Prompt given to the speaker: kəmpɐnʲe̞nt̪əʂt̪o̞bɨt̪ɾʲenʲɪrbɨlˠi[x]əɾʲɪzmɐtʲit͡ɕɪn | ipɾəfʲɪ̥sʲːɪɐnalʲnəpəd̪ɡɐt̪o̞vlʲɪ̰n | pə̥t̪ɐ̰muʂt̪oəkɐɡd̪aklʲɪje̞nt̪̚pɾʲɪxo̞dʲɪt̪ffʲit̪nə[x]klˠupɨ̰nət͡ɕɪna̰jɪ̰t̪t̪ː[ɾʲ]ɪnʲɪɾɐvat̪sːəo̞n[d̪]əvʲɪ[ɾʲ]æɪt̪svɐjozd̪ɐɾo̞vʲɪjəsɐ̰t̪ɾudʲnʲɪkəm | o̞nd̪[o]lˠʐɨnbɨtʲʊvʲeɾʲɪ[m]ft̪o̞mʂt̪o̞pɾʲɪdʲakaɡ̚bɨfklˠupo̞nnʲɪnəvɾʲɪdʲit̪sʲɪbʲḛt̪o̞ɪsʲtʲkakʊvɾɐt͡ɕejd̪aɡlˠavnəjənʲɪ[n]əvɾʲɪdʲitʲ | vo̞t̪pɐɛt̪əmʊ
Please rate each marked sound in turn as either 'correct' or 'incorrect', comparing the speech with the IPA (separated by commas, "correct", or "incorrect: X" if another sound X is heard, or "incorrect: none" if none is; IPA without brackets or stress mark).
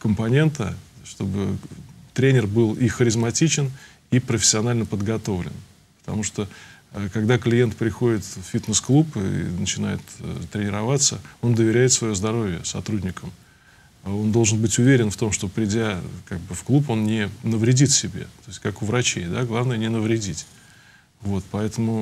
correct, incorrect: s, correct, correct, correct, correct, incorrect: n, correct